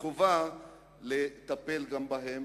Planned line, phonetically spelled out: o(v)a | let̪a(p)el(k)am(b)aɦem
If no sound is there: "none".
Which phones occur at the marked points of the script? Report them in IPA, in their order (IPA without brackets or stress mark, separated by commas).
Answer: v, p, ɡ, b